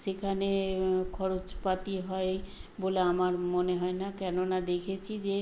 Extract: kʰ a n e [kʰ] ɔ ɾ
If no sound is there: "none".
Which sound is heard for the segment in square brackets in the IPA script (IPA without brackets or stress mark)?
kʰ